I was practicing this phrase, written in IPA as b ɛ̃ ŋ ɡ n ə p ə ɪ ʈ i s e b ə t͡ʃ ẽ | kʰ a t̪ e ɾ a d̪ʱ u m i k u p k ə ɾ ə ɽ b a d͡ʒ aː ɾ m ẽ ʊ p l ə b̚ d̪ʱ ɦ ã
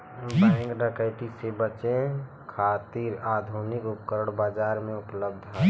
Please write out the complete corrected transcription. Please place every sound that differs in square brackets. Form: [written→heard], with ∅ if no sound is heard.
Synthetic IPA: b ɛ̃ ŋ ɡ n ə [p→k] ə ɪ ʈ i s e b ə t͡ʃ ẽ | kʰ a t̪ [e→i] ɾ a d̪ʱ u [m→n] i k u p k ə ɾ ə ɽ b a d͡ʒ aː ɾ m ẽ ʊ p l ə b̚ d̪ʱ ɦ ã